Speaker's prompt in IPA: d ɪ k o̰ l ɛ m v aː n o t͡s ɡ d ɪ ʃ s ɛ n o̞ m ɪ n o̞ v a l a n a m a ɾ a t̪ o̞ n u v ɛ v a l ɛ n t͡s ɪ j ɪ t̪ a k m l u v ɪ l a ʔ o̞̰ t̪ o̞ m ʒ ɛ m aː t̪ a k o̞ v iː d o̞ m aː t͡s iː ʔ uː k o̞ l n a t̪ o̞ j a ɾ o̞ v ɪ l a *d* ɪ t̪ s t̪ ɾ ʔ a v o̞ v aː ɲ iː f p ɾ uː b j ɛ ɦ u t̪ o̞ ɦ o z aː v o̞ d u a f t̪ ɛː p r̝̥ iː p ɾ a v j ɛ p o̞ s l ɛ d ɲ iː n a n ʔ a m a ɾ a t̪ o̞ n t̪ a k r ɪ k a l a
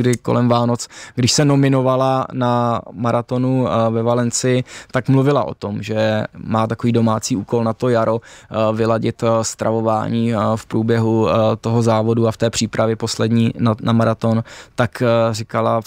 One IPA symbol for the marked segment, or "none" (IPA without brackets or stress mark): ɟ